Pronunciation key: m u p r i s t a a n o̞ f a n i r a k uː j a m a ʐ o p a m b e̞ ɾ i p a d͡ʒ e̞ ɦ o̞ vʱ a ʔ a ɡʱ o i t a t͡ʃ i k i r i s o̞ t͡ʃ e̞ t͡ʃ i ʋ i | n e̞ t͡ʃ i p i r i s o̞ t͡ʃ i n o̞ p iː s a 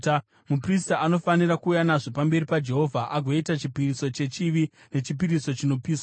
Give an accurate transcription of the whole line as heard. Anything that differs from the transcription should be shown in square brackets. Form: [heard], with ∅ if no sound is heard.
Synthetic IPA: m u p r i s t a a n o̞ f a n i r a k uː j a [n] a ʐ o p a m b e̞ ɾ i p a d͡ʒ e̞ ɦ o̞ vʱ a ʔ a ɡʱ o i t a t͡ʃ i [p] i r i s o̞ t͡ʃ e̞ t͡ʃ i ʋ i | n e̞ t͡ʃ i p i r i s o̞ t͡ʃ i n o̞ p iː s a